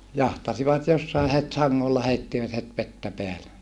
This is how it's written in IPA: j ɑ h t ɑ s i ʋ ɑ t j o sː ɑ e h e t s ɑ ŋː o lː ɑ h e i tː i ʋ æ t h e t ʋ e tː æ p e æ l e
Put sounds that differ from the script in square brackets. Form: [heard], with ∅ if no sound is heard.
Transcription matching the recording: j ɑ h t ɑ s i ʋ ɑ t j o sː ɑ e h e t s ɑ ŋː o lː ɑ h e i tː i ʋ æ t h e t ʋ e tː æ p e æ l e

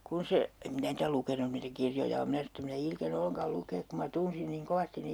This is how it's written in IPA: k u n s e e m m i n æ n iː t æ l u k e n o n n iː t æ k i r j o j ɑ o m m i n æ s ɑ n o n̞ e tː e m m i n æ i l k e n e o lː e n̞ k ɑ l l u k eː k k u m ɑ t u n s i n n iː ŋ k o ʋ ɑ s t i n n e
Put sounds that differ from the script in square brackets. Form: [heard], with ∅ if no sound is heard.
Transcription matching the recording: k u n s e e m m i n æ n iː t æ l u k e n [u] n n iː t æ k i r j o j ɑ o m m i n æ s ɑ n o n̞ e tː e m m i n æ i l k e n e o lː e n̞ k ɑ l l u k eː k k u m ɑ t u n s i n n iː ŋ k o ʋ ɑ s t i n n e

